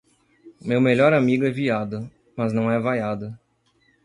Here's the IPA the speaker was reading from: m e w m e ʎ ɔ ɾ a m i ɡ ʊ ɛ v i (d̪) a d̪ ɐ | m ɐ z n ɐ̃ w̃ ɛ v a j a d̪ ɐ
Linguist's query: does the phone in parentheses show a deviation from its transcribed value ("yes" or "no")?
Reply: yes